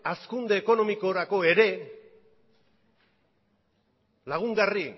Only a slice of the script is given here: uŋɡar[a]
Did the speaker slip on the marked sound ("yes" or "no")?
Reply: yes